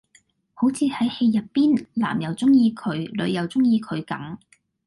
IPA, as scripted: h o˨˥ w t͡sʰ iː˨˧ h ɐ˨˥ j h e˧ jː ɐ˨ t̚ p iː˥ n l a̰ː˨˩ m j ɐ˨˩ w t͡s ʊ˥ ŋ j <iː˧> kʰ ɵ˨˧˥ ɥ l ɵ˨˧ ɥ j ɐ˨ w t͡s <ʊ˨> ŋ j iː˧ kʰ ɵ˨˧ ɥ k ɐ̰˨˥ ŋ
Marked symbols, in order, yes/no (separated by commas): yes, no